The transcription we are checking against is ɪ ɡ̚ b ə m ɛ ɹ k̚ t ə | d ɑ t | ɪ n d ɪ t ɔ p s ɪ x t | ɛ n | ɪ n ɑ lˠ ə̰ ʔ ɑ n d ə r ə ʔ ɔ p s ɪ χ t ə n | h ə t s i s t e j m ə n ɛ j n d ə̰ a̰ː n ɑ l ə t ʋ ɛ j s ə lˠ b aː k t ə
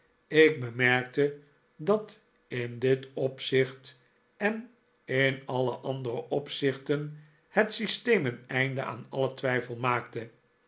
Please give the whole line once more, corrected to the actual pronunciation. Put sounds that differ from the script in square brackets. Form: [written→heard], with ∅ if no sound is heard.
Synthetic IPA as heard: ɪ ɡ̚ b ə m ɛ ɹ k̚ t ə | d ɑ t | ɪ n d ɪ t ɔ p s ɪ [x→χ] t | ɛ n | ɪ n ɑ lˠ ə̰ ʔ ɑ n d ə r ə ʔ ɔ p s ɪ χ t ə n | h ə t s i s t e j m ə n ɛ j n d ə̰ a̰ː n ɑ l ə t ʋ ɛ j [s→f] ə lˠ [b→m] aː k t ə